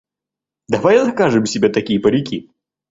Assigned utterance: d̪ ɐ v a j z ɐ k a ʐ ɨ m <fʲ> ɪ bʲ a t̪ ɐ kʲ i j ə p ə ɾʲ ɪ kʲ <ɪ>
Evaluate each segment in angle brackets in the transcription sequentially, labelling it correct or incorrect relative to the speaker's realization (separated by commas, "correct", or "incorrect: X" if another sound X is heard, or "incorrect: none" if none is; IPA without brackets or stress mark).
incorrect: sʲ, incorrect: i